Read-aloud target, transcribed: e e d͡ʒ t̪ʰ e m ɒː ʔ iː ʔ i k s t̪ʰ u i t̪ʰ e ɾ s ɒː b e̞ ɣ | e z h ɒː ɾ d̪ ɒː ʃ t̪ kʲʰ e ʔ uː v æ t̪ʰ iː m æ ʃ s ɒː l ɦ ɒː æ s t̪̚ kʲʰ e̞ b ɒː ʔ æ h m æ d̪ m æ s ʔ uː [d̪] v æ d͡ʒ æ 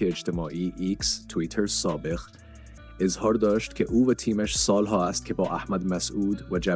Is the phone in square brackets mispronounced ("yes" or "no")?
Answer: no